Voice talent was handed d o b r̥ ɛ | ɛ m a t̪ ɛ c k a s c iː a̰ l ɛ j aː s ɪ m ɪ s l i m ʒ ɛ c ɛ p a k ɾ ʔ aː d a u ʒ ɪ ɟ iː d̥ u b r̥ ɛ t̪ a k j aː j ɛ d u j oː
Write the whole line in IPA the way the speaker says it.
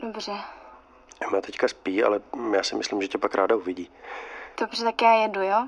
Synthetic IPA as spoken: d o b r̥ ɛ | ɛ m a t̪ ɛ c k a s p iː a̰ l ɛ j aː s ɪ m ɪ s l i m ʒ ɛ c ɛ p a k ɾ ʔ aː d a u v ɪ ɟ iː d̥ o b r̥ ɛ t̪ a k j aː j ɛ d u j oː